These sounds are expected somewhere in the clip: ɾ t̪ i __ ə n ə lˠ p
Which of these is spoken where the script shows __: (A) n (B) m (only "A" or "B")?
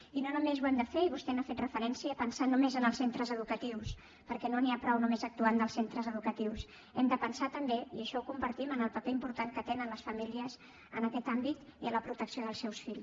B